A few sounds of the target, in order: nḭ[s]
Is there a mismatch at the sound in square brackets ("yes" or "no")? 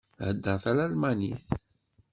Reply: yes